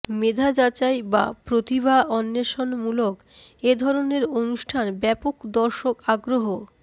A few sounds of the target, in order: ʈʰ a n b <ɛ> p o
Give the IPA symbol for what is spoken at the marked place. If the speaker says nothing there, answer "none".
ɛ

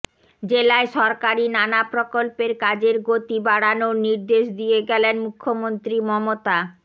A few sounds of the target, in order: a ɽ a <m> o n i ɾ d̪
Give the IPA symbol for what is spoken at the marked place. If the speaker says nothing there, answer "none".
n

